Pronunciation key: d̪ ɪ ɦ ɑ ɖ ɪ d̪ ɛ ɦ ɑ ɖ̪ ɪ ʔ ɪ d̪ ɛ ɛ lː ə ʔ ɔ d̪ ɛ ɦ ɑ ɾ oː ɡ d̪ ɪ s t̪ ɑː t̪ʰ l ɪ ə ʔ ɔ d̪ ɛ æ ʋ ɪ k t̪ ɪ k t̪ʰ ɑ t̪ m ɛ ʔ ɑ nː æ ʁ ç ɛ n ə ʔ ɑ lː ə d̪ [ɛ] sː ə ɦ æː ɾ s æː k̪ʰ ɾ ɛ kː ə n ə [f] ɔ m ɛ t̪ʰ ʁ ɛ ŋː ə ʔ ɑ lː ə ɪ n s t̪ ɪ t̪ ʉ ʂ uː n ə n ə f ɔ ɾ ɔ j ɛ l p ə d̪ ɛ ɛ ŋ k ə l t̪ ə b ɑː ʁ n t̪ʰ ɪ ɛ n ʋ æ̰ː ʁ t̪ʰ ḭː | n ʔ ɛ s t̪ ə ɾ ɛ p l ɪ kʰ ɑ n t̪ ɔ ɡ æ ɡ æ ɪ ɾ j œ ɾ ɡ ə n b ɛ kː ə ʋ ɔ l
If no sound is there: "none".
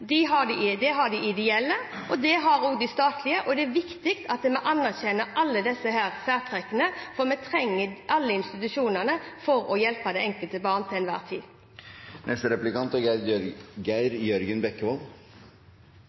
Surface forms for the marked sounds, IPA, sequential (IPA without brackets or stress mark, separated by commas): ɛ, f